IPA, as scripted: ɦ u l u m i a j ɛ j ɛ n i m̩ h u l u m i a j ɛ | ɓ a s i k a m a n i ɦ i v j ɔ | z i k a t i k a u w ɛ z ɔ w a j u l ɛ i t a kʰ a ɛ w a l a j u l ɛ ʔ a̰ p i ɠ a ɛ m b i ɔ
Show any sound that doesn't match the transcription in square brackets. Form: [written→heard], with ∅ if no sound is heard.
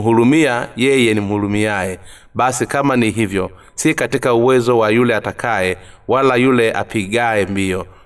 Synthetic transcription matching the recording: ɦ u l u m i a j ɛ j ɛ n i m̩ h u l u m i a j ɛ | ɓ a s i k a m a n i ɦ i v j ɔ | [z→s] i k a t i k a u w ɛ z ɔ w a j u l ɛ [i→a] t a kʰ a ɛ w a l a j u l ɛ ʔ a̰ p i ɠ a ɛ m b i ɔ